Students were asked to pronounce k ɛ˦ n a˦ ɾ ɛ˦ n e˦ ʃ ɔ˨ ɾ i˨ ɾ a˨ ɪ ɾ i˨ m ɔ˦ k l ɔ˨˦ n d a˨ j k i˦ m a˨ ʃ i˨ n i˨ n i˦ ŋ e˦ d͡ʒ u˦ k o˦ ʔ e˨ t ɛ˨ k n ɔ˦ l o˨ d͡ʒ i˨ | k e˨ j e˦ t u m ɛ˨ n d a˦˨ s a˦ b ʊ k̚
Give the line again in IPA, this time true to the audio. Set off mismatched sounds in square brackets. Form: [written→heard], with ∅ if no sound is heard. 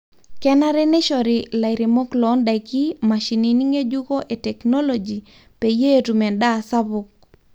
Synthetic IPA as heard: k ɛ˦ n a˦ ɾ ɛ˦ n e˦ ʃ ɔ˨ ɾ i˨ [ɾ→l] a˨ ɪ ɾ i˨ m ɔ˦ k l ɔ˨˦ n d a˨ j k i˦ m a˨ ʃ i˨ n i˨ n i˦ ŋ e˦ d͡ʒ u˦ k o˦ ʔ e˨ t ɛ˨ k n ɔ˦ l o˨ d͡ʒ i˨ | [k→p] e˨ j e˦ t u m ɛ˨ n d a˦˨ s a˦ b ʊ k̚

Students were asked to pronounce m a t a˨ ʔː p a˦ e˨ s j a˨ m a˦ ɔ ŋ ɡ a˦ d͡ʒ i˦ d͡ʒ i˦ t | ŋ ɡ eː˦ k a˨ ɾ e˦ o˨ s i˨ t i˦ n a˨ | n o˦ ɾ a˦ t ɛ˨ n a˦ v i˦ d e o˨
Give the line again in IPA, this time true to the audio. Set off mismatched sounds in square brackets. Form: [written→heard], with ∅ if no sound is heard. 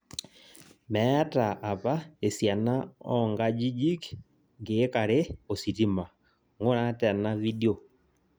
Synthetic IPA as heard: m [a→ɛ] t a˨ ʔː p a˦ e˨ s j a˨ [m→n] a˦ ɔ ŋ ɡ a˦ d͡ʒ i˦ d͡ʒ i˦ [t→k] | ŋ ɡ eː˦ k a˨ ɾ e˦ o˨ s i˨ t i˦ [n→m] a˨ | [n→ŋ] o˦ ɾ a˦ t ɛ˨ n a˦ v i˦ d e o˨

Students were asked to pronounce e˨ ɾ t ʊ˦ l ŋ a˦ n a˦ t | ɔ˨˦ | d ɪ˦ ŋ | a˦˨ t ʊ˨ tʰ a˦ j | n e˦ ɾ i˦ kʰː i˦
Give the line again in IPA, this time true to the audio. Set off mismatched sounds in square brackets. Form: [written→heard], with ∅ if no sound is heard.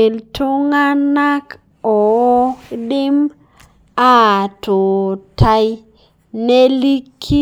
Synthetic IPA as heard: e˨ [ɾ→l] t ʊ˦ [l→∅] ŋ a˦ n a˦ [t→k] | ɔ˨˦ | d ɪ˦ [ŋ→m] | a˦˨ t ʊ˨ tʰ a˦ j | n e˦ [ɾ→l] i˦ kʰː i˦

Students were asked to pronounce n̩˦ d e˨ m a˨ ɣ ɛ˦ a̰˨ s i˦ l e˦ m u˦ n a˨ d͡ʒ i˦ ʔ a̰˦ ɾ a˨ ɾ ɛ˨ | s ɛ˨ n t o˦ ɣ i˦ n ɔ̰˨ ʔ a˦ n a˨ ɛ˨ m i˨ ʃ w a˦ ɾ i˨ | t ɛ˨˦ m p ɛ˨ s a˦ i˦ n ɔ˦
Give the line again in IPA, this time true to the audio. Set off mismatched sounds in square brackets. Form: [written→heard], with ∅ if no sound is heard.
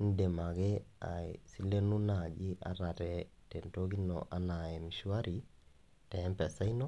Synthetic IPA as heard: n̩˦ d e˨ m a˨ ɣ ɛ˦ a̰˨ s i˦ l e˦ [m→n] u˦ n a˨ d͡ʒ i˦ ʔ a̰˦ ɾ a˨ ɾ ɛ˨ | [s→t] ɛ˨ n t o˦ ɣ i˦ n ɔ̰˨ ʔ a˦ n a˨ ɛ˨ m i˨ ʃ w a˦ ɾ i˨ | t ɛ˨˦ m p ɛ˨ s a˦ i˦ n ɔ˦

